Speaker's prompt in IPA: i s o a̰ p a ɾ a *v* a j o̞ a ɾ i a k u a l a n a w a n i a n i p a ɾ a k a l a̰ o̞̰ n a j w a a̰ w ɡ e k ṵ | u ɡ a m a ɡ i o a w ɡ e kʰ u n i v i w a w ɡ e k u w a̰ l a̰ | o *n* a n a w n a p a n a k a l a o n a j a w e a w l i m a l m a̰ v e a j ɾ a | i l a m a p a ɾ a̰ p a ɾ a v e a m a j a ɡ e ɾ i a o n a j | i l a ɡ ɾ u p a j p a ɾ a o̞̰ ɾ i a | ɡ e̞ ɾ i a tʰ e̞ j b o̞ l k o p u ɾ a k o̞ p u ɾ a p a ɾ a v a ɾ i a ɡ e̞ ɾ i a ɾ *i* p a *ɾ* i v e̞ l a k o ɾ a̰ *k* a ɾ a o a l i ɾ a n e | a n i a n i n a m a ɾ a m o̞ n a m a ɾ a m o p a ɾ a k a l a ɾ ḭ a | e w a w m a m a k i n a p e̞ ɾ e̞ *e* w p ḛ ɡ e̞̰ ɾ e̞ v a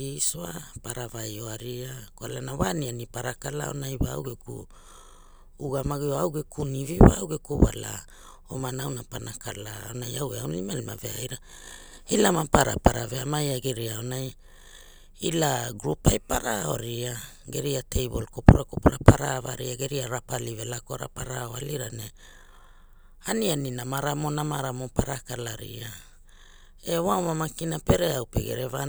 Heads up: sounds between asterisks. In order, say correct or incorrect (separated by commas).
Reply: correct, incorrect, incorrect, incorrect, incorrect, incorrect